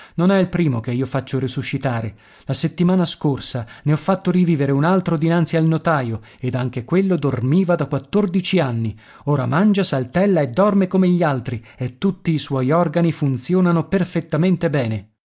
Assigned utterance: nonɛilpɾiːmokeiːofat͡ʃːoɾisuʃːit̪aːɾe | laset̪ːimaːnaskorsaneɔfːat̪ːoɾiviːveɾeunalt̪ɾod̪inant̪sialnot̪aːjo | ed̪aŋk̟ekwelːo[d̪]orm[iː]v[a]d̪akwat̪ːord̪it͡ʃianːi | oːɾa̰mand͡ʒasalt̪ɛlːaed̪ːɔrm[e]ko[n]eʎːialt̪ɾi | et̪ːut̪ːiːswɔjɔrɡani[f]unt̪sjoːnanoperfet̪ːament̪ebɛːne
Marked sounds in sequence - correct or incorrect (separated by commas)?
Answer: correct, correct, correct, correct, incorrect, correct